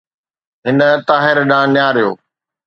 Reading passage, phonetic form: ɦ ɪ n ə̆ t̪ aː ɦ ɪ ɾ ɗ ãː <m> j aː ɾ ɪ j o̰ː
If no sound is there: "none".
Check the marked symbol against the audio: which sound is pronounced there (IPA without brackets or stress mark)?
n